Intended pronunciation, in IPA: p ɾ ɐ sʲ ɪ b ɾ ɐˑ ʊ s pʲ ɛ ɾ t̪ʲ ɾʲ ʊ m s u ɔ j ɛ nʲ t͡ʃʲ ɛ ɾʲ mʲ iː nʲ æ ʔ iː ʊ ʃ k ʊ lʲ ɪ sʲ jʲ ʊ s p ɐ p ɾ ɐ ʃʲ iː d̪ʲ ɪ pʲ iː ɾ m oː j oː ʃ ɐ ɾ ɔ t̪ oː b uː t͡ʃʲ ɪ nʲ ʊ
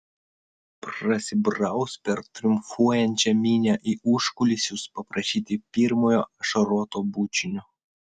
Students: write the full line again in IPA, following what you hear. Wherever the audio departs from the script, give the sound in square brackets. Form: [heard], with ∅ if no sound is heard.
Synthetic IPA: p ɾ ɐ sʲ ɪ b ɾ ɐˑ ʊ s pʲ ɛ ɾ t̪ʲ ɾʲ ʊ m [f] u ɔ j ɛ nʲ t͡ʃʲ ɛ [∅] mʲ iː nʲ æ ʔ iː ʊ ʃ k ʊ lʲ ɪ sʲ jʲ ʊ s p ɐ p ɾ ɐ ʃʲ iː [t̪ʲ] ɪ pʲ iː ɾ m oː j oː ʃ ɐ ɾ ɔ t̪ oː b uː t͡ʃʲ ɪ nʲ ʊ

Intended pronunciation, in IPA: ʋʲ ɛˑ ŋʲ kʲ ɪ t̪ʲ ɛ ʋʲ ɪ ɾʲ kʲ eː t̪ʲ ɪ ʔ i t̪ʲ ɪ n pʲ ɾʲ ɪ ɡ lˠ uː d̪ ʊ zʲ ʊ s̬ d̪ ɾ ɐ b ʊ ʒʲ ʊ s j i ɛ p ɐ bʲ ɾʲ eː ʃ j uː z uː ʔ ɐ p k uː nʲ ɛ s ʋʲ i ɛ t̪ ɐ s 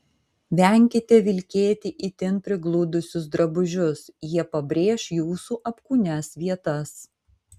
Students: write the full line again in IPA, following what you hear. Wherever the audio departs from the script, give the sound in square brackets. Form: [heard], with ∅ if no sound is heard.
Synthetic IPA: ʋʲ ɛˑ ŋʲ kʲ ɪ t̪ʲ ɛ ʋʲ ɪ [lʲ] kʲ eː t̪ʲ ɪ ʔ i t̪ʲ ɪ n pʲ ɾʲ ɪ ɡ lˠ uː d̪ ʊ [sʲ] ʊ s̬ d̪ ɾ ɐ b ʊ ʒʲ ʊ s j i ɛ p ɐ bʲ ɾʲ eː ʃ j uː [s] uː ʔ ɐ p k uː nʲ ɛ s ʋʲ i ɛ t̪ ɐ s

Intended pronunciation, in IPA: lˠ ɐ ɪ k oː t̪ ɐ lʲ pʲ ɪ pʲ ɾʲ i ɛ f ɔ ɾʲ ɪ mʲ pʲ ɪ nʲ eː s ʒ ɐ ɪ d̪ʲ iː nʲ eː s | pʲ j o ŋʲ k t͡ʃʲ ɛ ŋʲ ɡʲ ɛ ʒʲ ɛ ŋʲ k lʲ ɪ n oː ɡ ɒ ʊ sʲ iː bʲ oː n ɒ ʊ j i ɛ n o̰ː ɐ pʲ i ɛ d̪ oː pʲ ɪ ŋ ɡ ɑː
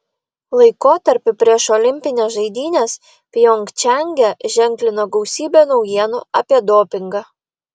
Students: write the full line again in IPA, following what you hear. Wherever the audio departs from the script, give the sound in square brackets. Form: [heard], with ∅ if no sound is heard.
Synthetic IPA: lˠ ɐ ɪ k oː t̪ ɐ [ɾʲ] pʲ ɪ pʲ ɾʲ i ɛ [ʃ] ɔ [lʲ] ɪ mʲ pʲ ɪ nʲ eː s ʒ ɐ ɪ d̪ʲ iː nʲ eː s | pʲ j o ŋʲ k t͡ʃʲ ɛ ŋʲ ɡʲ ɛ ʒʲ ɛ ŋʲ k lʲ ɪ n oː ɡ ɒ ʊ sʲ iː bʲ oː n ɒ ʊ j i ɛ n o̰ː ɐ pʲ i ɛ d̪ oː pʲ ɪ ŋ ɡ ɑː

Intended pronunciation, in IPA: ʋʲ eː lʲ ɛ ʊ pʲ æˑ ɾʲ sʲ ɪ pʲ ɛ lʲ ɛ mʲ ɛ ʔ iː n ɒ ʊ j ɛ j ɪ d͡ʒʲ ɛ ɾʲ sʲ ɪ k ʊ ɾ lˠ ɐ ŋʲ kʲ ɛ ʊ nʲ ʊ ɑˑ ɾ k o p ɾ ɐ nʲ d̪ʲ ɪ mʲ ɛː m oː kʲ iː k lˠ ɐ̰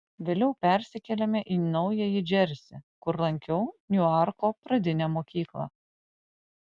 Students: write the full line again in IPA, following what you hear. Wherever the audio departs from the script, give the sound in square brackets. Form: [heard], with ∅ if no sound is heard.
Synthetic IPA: ʋʲ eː lʲ ɛ ʊ pʲ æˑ ɾʲ sʲ ɪ [kʲ] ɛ lʲ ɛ mʲ ɛ ʔ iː n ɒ ʊ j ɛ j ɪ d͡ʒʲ ɛ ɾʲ sʲ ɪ k ʊ ɾ lˠ ɐ ŋʲ kʲ ɛ ʊ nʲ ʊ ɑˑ ɾ k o p ɾ ɐ [∅] d̪ʲ ɪ [nʲ] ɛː m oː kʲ iː k lˠ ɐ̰

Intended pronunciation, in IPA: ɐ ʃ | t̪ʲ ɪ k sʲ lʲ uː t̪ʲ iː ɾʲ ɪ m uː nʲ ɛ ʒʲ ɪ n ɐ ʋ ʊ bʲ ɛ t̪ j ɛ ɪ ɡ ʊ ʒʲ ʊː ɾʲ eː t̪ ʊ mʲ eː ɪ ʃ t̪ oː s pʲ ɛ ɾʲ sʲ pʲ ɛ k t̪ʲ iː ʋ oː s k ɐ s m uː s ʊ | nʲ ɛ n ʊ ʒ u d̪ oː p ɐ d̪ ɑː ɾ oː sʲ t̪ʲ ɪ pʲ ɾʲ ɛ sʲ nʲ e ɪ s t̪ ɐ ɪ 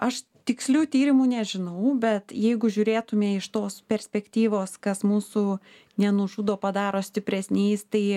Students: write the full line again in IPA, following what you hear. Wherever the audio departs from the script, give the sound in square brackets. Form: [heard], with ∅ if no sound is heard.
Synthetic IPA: ɐ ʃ | t̪ʲ ɪ k sʲ lʲ uː t̪ʲ iː ɾʲ ɪ m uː nʲ ɛ ʒʲ ɪ n ɐ [∅] ʊ bʲ ɛ t̪ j ɛ ɪ ɡ ʊ ʒʲ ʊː ɾʲ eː t̪ ʊ mʲ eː ɪ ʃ t̪ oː s pʲ ɛ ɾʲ sʲ pʲ ɛ k t̪ʲ iː ʋ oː s k ɐ s m uː s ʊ | nʲ ɛ n ʊ ʒ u d̪ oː p ɐ d̪ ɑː ɾ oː sʲ t̪ʲ ɪ pʲ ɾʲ ɛ sʲ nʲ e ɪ s t̪ ɐ ɪ

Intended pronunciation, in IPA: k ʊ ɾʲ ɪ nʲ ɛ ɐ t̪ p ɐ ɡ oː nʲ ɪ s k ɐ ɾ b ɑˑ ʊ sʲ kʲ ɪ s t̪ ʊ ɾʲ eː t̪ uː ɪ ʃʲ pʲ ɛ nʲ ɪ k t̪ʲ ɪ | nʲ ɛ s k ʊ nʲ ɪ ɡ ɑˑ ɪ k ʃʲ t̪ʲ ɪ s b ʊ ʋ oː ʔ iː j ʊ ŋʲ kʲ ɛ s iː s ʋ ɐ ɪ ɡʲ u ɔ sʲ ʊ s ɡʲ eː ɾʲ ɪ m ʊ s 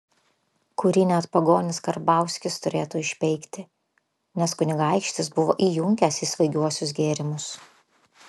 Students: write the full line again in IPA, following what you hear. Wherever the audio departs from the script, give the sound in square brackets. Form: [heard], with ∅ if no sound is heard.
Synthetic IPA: k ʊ ɾʲ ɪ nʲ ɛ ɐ t̪ p ɐ ɡ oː nʲ ɪ s k ɐ ɾ b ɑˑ ʊ sʲ kʲ ɪ s t̪ ʊ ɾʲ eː t̪ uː ɪ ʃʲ pʲ ɛ [∅] ɪ k t̪ʲ ɪ | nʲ ɛ s k ʊ nʲ ɪ ɡ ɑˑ ɪ k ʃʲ t̪ʲ ɪ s b ʊ ʋ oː ʔ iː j ʊ ŋʲ kʲ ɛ s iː s ʋ ɐ ɪ ɡʲ u ɔ sʲ ʊ s ɡʲ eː ɾʲ ɪ m ʊ s

